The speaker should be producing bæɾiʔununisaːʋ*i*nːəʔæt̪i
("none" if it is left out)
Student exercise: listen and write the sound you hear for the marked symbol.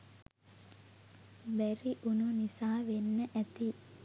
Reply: e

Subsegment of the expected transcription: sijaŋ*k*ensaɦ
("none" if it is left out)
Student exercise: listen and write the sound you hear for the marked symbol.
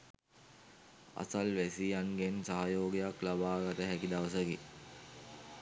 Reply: ɡ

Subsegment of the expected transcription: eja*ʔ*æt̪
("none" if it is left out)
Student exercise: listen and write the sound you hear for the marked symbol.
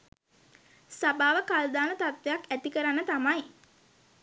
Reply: k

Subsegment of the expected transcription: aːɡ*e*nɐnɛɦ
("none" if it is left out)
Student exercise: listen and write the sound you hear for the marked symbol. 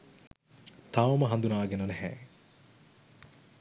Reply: e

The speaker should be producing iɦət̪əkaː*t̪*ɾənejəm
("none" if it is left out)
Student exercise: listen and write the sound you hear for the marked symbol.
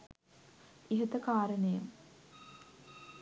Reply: none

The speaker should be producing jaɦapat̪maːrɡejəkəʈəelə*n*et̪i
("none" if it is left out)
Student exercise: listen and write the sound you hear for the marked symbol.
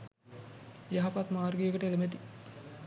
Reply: m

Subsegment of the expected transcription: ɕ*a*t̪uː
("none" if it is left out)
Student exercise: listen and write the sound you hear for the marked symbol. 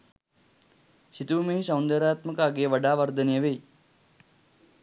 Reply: i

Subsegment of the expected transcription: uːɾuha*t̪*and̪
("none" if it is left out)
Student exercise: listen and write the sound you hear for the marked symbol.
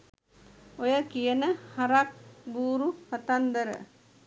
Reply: t̪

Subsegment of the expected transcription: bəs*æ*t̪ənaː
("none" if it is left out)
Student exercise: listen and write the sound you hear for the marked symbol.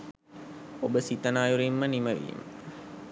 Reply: i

